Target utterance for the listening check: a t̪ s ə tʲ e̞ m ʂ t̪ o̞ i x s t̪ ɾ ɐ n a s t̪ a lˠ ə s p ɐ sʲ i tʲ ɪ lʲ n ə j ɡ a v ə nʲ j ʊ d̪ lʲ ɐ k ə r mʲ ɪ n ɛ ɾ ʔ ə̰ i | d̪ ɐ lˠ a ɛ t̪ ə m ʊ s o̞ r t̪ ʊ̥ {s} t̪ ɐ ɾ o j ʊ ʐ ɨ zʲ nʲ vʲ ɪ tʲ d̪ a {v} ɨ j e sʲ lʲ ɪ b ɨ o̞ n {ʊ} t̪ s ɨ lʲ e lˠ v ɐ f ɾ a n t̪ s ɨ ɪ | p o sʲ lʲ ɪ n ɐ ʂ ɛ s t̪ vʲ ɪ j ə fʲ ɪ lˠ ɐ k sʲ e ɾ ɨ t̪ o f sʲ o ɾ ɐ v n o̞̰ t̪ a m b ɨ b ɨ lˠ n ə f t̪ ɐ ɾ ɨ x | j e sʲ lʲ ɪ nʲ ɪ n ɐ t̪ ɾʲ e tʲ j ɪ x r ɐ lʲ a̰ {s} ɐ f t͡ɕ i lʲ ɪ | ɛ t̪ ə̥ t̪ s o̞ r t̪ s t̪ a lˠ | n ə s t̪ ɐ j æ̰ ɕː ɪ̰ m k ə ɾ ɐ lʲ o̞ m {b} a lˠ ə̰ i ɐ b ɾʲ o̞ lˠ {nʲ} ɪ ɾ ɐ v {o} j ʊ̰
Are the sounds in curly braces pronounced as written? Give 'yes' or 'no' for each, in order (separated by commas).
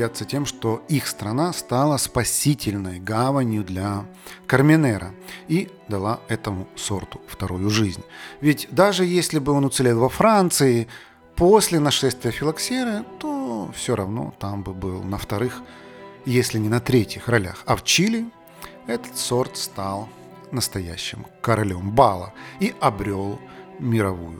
no, no, yes, no, yes, no, no